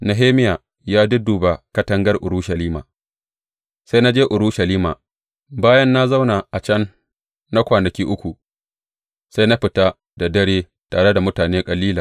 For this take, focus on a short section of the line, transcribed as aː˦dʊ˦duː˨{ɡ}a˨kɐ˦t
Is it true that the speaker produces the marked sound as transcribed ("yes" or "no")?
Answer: no